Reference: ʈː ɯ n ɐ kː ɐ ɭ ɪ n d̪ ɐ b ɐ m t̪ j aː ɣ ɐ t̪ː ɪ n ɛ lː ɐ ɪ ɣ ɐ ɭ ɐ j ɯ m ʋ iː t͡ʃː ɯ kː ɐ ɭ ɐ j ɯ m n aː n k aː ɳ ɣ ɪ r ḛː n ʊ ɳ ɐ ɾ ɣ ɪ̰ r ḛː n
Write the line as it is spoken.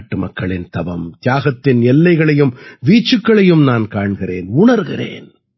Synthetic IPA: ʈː ɯ m ɐ kː ɐ ɭ ɪ n t̪ ɐ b ɐ m t̪ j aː ɣ ɐ t̪ː ɪ n ɛ lː ɐ ɪ ɣ ɐ ɭ ɐ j ɯ m ʋ iː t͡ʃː ɯ kː ɐ ɭ ɐ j ɯ m n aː n k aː ɳ ɣ ɪ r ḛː n ʊ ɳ ɐ ɾ ɣ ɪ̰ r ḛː n

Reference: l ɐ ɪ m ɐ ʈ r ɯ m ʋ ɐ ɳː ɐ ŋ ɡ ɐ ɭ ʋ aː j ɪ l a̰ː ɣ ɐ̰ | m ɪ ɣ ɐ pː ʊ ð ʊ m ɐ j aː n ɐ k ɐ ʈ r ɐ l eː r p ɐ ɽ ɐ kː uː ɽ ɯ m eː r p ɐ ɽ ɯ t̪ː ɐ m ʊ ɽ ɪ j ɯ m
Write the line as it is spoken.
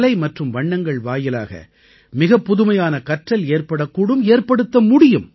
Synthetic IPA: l ɐ ɪ m ɐ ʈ r ɯ m ʋ ɐ ɳː ɐ ŋ ɡ ɐ ɭ ʋ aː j ɪ l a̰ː ɣ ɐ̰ | m ɪ ɣ ɐ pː ʊ ð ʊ m ɐ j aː n ɐ k ɐ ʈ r ɐ l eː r p ɐ ɽ ɐ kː uː ɽ ɯ m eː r p ɐ ɽ ɯ t̪ː ɐ m ʊ ɽ ɪ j ɯ m

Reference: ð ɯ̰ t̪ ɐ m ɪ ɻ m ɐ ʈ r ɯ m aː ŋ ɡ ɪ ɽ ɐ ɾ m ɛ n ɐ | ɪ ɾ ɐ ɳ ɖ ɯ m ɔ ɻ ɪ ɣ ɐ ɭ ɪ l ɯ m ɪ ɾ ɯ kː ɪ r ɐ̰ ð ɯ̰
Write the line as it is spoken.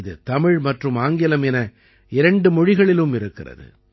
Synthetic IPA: ð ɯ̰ t̪ ɐ m ɪ ɻ m ɐ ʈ r ɯ m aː ŋ ɡ ɪ l ɐ m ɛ n ɐ | ɪ ɾ ɐ ɳ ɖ ɯ m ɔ ɻ ɪ ɣ ɐ ɭ ɪ l ɯ m ɪ ɾ ɯ kː ɪ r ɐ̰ ð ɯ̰

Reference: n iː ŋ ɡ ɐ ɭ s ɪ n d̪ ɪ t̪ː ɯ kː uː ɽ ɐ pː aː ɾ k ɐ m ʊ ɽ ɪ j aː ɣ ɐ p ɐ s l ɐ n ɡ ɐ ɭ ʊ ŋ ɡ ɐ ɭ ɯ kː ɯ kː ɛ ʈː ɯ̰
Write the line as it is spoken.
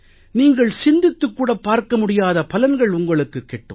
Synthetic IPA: n iː ŋ ɡ ɐ ɭ s ɪ n d̪ ɪ t̪ː ɯ kː uː ɽ ɐ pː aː ɾ k ɐ m ʊ ɽ ɪ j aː ð ɐ p ɐ l ɐ n ɡ ɐ ɭ ʊ ŋ ɡ ɐ ɭ ɯ kː ɯ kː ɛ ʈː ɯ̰

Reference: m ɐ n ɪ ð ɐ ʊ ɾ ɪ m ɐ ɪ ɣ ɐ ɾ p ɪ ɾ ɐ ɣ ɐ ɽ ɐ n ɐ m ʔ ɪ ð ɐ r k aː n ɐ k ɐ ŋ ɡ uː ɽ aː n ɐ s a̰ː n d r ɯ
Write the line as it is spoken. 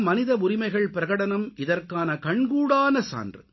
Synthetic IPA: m ɐ n ɪ ð ɐ ʊ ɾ ɪ m ɐ ɪ ɣ ɐ ɭ p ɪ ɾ ɐ ɣ ɐ ɽ ɐ n ɐ m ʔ ɪ ð ɐ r k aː n ɐ k ɐ ɳ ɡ uː ɽ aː n ɐ s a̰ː n d r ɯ

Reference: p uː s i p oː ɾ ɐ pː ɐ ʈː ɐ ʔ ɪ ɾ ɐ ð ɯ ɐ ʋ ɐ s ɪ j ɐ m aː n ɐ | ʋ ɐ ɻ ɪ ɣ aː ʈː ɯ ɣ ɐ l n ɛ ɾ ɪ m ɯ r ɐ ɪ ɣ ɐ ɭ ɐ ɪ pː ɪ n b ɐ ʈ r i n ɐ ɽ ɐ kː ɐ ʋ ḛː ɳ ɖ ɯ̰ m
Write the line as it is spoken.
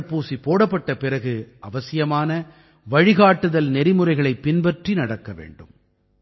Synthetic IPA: p uː s i p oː ɽ ɐ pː ɐ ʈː ɐ p ɪ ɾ ɐ ɣ ɯ ɐ ʋ ɐ s ɪ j ɐ m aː n ɐ | ʋ ɐ ɻ ɪ ɣ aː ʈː ɯ ð ɐ l n ɛ ɾ ɪ m ɯ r ɐ ɪ ɣ ɐ ɭ ɐ ɪ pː ɪ n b ɐ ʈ r i n ɐ ɽ ɐ kː ɐ ʋ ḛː ɳ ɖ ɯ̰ m

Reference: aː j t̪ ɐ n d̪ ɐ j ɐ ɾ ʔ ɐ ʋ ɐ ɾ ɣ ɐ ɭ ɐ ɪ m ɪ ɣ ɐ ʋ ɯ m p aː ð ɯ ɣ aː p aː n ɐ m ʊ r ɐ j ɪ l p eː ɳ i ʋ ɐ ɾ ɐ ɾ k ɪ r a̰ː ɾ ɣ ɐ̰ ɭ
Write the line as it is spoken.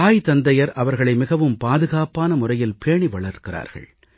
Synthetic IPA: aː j t̪ ɐ n d̪ ɐ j ɐ ɾ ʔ ɐ ʋ ɐ ɾ ɣ ɐ ɭ ɐ ɪ m ɪ ɣ ɐ ʋ ɯ m p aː ð ɯ ɣ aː p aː n ɐ m ʊ r ɐ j ɪ l p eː ɳ i ʋ ɐ ɭ ɐ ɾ k ɪ r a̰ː ɾ ɣ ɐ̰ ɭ

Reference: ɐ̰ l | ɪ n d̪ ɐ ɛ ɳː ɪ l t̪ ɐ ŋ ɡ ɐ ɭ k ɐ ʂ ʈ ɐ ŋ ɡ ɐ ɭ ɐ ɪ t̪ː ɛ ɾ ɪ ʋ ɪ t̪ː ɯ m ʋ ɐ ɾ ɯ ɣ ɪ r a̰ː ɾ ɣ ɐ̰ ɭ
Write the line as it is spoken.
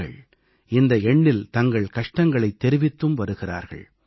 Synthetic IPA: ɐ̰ ɭ | ɪ n d̪ ɐ ɛ ɳː ɪ l t̪ ɐ ŋ ɡ ɐ ɭ k ɐ ʂ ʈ ɐ ŋ ɡ ɐ ɭ ɐ ɪ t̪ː ɛ ɾ ɪ ʋ ɪ t̪ː ɯ m ʋ ɐ ɾ ɯ ɣ ɪ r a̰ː ɾ ɣ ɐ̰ ɭ

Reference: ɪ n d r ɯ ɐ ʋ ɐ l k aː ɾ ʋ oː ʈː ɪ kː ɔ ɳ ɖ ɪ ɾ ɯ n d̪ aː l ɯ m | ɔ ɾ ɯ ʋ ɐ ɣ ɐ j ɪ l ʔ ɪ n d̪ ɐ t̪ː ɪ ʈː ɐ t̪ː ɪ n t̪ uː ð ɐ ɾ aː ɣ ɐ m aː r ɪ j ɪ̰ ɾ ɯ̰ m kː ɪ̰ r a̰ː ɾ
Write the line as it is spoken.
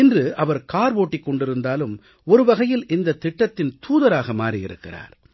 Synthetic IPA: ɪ n d r ɯ ɐ ʋ ɐ ɾ k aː ɾ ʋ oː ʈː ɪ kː ɔ ɳ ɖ ɪ ɾ ɯ n d̪ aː l ɯ m | ɔ ɾ ɯ ʋ ɐ ɣ ɐ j ɪ l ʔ ɪ n d̪ ɐ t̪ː ɪ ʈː ɐ t̪ː ɪ n t̪ uː ð ɐ ɾ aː ɣ ɐ m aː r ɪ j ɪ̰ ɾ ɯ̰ kː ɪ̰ r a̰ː ɾ

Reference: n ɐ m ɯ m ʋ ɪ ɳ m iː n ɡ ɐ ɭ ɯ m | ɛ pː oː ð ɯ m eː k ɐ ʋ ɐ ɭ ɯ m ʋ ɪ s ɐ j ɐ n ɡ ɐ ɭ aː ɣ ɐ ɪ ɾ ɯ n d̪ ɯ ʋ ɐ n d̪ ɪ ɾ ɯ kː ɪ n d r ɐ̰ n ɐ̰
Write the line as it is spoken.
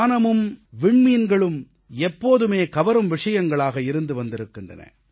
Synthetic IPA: n ɐ m ɯ m ʋ ɪ ɳ m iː n ɡ ɐ ɭ ɯ m | ɛ pː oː ð ɯ m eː k ɐ ʋ ɐ ɾ ɯ m ʋ ɪ ʂ ɐ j ɐ ŋ ɡ ɐ ɭ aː ɣ ɐ ɪ ɾ ɯ n d̪ ɯ ʋ ɐ n d̪ ɪ ɾ ɯ kː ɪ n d r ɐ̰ n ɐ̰

